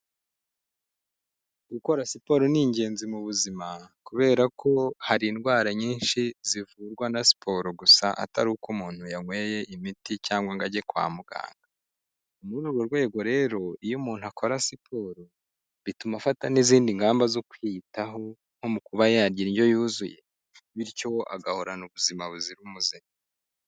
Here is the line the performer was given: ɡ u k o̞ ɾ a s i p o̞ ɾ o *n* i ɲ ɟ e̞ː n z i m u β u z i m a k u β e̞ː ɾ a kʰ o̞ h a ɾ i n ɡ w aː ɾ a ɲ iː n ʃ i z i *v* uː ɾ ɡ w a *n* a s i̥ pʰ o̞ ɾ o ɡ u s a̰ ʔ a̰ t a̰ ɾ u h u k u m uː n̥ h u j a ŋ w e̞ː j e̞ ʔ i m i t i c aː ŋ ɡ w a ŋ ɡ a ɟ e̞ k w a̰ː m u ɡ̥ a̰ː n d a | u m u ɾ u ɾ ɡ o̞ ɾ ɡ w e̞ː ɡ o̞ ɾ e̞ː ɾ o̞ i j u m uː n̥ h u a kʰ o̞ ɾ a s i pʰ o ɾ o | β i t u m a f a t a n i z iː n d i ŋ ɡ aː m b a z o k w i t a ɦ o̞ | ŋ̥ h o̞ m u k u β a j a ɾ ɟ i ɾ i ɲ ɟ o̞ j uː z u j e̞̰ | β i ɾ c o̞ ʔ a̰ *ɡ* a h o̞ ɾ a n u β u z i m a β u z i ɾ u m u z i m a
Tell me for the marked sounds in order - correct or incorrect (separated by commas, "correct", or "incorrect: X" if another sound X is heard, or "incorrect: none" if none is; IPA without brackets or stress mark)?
correct, correct, correct, correct